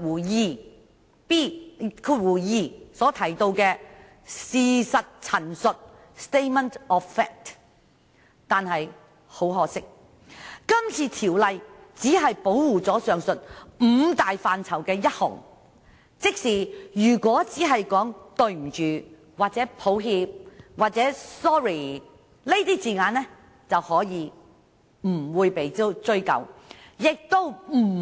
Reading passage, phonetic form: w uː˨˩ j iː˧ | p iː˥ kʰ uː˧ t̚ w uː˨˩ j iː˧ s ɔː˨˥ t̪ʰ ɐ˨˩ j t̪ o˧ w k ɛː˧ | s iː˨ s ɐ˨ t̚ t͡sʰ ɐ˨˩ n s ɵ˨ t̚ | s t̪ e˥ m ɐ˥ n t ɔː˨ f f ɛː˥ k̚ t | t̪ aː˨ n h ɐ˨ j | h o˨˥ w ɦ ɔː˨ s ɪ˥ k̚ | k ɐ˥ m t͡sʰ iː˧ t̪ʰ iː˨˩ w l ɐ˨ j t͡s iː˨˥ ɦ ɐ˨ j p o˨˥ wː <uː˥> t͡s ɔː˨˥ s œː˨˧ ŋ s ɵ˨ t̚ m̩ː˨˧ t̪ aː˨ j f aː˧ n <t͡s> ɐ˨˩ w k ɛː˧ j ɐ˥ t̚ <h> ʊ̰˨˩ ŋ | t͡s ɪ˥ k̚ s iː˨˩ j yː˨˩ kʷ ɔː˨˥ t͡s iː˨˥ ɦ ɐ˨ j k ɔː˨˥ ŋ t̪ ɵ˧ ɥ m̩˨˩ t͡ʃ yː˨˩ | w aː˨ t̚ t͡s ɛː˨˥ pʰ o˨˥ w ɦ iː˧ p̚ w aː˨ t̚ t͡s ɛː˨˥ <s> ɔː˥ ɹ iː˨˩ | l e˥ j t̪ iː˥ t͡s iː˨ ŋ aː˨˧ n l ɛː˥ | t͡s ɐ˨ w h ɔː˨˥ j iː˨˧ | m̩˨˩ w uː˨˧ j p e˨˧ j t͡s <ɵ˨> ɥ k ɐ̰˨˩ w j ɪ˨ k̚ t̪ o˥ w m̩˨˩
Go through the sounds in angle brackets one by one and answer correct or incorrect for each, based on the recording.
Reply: incorrect, incorrect, correct, correct, incorrect

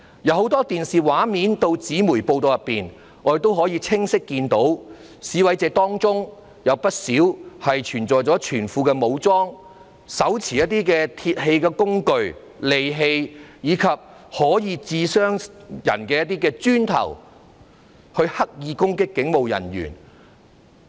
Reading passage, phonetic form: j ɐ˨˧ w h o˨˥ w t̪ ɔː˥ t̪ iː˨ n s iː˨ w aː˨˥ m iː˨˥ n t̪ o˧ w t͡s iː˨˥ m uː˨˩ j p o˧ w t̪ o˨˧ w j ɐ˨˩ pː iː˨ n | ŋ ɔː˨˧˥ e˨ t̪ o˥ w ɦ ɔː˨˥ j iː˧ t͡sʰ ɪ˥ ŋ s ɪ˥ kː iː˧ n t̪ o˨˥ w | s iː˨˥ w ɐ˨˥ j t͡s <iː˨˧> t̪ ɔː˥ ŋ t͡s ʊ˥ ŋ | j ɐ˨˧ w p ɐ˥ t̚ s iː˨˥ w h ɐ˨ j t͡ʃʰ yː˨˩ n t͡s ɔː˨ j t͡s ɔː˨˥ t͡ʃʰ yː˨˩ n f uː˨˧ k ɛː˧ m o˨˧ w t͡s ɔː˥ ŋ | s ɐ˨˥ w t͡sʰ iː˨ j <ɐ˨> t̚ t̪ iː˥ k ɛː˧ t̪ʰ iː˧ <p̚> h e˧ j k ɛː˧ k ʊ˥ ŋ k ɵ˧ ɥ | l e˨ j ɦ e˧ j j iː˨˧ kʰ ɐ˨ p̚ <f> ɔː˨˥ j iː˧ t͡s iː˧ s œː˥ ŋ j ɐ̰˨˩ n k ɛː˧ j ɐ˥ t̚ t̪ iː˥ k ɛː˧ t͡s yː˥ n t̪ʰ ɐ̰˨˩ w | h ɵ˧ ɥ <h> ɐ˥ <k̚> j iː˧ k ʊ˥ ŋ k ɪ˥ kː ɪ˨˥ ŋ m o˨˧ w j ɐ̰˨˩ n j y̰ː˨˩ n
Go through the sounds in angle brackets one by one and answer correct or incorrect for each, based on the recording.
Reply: incorrect, incorrect, incorrect, incorrect, correct, correct

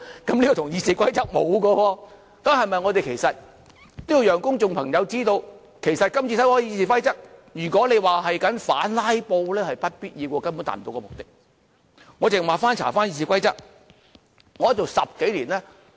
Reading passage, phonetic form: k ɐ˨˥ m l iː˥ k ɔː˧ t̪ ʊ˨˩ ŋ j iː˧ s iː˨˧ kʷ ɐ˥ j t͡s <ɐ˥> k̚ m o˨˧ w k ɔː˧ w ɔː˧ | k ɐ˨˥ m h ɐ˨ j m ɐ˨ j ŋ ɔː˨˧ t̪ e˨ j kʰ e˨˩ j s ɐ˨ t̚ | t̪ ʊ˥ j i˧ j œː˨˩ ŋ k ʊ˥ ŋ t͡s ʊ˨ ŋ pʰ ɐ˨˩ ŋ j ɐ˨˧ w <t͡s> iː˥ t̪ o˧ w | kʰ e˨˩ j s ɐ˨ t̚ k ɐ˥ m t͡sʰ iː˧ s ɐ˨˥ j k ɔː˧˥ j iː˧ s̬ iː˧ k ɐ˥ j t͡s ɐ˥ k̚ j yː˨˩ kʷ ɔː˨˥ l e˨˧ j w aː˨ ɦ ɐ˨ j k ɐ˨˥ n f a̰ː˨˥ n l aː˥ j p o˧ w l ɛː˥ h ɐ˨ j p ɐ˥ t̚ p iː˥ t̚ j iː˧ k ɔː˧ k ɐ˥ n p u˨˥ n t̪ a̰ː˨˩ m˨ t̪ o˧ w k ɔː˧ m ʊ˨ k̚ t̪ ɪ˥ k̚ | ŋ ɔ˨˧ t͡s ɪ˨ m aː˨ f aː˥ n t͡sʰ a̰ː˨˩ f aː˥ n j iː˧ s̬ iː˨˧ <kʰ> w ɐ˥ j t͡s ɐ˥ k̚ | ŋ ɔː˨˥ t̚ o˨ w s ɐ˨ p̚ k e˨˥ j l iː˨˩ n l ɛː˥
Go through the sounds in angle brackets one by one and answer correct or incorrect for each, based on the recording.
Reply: correct, correct, incorrect

